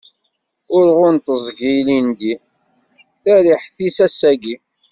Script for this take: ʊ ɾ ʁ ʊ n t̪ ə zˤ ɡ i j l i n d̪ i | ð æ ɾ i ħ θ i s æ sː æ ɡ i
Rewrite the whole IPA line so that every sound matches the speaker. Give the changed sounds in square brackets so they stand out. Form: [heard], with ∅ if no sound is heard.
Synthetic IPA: ʊ ɾ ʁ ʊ n t̪ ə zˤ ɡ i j l i n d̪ i | [θ] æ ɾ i ħ θ i s æ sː æ ɡ i